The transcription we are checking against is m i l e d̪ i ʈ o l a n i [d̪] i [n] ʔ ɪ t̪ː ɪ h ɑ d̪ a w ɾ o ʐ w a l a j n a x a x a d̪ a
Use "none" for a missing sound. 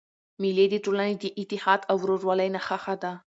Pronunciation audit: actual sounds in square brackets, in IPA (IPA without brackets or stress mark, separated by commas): d̪, none